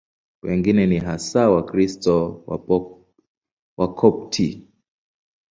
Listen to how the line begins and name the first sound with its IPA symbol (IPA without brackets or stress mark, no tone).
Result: w